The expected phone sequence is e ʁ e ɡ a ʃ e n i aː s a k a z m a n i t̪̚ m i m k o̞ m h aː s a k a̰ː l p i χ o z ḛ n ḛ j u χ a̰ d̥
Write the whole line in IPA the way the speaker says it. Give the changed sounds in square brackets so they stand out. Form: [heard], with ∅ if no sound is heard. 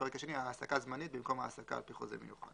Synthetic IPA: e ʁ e [k] a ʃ e n i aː s a k a z m a n i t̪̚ [b] i m k o̞ m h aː s a k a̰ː l p i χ o z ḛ [m] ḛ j u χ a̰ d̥